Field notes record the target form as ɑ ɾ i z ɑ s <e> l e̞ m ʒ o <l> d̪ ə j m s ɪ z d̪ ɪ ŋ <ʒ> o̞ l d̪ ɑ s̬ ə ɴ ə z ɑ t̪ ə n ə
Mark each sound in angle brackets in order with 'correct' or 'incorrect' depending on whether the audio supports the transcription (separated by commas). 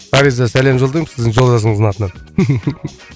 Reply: incorrect, correct, correct